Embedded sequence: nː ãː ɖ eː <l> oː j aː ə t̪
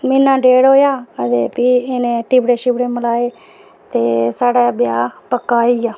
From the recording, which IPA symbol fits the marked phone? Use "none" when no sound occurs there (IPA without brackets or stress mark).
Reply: ɽ